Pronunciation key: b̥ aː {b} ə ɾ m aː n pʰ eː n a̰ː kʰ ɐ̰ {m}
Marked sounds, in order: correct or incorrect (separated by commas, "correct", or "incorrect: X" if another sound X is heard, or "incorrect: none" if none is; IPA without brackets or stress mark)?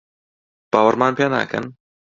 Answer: incorrect: w, incorrect: n